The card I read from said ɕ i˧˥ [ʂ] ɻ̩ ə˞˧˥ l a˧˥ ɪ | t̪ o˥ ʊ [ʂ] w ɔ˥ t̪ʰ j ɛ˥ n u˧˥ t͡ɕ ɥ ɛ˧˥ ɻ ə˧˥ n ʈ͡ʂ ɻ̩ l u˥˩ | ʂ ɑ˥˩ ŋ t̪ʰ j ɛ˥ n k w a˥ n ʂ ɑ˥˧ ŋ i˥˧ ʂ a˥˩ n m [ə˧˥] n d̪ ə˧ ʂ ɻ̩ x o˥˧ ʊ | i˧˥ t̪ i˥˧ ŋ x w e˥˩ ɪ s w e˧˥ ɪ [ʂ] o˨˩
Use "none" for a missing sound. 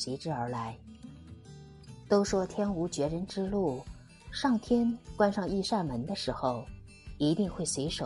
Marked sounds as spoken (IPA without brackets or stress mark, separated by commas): ʈ͡ʂ, ʂ, ə˧˥, ʂ